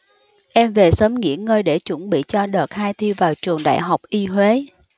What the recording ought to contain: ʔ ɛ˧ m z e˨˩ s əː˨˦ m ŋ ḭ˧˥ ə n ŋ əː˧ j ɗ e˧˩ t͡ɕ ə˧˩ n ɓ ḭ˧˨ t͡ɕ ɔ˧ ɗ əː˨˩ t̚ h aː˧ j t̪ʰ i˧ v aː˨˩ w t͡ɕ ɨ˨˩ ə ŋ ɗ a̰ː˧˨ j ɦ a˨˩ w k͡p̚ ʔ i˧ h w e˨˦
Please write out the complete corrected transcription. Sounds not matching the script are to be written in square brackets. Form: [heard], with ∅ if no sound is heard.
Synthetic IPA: ʔ ɛ˧ m [v] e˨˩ s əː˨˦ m ŋ ḭ˧˥ ə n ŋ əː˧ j ɗ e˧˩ t͡ɕ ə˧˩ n ɓ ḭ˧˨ t͡ɕ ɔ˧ ɗ əː˨˩ t̚ h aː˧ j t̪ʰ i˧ v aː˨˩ w t͡ɕ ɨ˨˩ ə ŋ ɗ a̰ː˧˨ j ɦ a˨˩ w k͡p̚ ʔ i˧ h w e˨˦